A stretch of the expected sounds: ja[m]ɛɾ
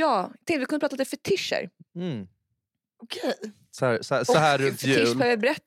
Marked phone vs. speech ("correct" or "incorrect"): incorrect